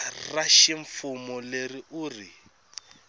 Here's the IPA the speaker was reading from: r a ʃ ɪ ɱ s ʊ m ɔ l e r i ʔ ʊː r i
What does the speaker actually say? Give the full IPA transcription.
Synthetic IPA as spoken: r a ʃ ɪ ɱ f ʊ m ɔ l e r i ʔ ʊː r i